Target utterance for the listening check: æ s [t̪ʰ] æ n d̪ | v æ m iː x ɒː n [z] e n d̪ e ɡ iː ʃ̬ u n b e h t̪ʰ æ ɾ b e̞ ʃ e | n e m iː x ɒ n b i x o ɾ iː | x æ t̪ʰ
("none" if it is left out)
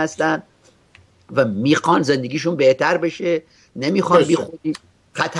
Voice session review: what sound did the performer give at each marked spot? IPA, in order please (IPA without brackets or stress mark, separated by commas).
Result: t̪, z